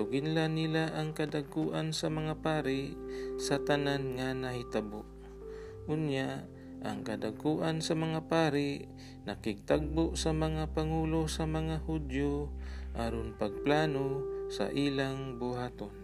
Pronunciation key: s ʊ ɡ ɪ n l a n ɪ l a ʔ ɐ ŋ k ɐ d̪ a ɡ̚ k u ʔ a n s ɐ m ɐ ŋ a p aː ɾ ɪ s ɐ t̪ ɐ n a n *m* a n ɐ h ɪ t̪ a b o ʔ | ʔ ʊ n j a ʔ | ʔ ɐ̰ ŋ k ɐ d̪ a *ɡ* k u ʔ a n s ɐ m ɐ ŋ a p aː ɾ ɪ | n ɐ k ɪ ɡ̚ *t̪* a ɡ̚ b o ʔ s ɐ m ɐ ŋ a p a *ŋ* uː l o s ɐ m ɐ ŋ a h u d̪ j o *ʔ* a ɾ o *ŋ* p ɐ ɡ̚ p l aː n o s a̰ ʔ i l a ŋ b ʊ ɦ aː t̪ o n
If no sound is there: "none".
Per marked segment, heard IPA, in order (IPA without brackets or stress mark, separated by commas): ŋ, ɡ, t̪, ŋ, ʔ, n